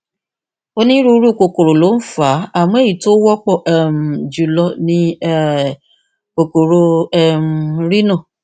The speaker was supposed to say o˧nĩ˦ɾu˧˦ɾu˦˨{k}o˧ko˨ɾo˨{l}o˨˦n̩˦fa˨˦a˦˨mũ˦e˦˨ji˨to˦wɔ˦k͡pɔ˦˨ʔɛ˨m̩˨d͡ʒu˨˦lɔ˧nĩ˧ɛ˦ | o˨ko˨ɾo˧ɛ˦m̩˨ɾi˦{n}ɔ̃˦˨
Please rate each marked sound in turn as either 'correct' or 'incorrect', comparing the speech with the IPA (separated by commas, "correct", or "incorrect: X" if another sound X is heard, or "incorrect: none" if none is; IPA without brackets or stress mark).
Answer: correct, correct, correct